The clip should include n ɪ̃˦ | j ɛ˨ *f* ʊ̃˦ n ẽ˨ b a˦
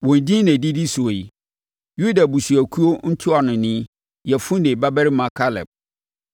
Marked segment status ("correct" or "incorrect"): correct